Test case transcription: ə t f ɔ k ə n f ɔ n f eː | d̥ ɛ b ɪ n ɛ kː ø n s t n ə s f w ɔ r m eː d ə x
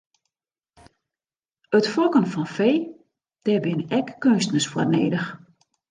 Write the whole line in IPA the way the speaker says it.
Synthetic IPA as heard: ə t f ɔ k ə n f ɔ n f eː | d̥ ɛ b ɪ n ɛ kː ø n s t n ə s f w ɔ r n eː d ə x